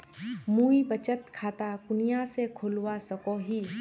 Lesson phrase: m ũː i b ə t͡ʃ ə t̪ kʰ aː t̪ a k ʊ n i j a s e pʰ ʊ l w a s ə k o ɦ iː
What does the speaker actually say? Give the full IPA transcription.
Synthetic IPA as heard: m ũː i b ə t͡ʃ ə t̪ kʰ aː t̪ a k ʊ n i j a s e kʰ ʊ l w a s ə k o ɦ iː